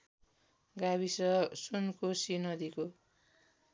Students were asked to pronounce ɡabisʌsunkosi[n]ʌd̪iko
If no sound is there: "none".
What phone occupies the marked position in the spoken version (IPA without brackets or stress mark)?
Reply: n